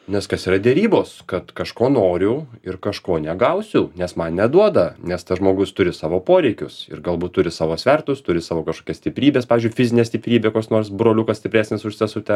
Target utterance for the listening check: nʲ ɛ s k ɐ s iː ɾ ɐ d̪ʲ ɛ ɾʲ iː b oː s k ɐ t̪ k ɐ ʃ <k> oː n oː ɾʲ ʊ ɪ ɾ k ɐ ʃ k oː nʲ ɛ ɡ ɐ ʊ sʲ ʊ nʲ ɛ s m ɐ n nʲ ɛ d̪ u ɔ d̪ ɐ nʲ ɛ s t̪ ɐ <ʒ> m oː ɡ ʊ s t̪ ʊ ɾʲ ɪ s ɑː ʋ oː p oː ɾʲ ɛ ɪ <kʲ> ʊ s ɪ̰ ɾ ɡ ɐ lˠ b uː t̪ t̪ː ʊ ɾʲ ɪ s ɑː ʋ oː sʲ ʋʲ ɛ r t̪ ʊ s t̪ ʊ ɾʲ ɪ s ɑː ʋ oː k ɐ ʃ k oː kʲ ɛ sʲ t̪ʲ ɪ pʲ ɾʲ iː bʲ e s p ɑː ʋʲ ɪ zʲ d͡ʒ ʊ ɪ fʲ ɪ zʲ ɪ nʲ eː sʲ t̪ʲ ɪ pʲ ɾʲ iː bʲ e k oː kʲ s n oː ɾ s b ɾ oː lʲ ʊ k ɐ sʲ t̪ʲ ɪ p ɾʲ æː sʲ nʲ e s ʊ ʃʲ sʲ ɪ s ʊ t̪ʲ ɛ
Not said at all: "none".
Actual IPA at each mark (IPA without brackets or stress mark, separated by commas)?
k, ʒ, kʲ